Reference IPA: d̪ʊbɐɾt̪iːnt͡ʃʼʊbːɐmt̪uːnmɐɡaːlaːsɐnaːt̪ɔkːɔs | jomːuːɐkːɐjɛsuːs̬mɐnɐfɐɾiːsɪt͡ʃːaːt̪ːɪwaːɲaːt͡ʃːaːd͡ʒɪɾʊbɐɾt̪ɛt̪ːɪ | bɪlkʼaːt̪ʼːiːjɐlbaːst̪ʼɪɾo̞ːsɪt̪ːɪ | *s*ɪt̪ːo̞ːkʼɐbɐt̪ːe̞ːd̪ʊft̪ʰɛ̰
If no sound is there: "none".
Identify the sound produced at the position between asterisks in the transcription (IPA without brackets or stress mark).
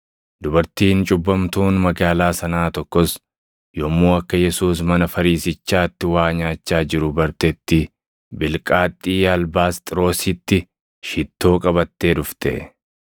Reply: ʃ